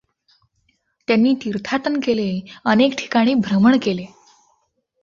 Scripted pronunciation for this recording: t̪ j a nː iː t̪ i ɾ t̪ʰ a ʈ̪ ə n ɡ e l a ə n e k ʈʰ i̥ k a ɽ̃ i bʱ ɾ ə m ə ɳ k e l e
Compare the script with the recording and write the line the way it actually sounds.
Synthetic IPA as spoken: t̪ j a nː iː t̪ i ɾ t̪ʰ a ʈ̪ ə n k e l e ə n e k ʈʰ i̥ k a ɽ̃ iː bʱ ɾ ə m ə ɳ k e l e